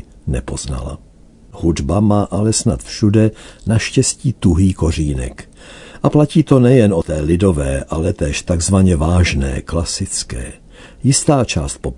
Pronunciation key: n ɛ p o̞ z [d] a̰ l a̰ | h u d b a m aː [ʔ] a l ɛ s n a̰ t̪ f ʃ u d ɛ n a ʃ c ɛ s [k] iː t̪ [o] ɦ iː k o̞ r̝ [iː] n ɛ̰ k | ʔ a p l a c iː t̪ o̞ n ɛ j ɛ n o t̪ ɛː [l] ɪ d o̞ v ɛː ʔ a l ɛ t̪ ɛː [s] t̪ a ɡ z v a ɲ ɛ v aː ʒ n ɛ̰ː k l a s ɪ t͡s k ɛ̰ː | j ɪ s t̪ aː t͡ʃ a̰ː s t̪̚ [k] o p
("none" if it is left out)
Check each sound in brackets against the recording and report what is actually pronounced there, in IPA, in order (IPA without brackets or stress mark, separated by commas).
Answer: n, ʔ, c, u, iː, l, ʃ, p